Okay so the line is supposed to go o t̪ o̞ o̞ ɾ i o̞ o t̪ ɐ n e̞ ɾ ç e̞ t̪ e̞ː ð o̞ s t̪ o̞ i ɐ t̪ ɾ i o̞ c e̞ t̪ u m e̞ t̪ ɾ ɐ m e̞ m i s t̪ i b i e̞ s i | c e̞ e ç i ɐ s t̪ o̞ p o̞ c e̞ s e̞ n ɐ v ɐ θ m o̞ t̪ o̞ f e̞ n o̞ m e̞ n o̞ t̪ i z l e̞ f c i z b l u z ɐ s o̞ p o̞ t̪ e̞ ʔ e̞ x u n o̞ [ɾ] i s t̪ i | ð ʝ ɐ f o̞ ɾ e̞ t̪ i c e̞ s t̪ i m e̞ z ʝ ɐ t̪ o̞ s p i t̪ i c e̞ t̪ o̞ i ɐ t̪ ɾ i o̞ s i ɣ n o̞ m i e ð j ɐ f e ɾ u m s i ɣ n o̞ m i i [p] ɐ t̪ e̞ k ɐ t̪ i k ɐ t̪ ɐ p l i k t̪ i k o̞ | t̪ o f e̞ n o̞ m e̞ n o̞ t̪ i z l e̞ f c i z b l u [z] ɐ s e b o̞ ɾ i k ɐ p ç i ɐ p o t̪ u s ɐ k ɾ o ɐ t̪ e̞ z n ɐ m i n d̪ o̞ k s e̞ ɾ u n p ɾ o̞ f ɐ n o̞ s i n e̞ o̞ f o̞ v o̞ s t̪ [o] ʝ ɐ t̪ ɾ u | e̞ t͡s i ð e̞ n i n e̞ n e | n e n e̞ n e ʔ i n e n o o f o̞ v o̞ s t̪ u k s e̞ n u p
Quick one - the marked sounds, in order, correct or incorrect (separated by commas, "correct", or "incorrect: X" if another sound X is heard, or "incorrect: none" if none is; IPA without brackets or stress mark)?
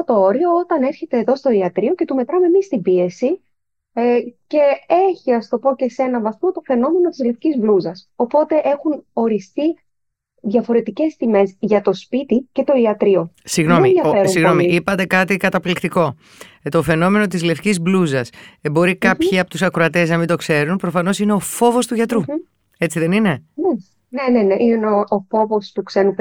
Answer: correct, correct, correct, incorrect: u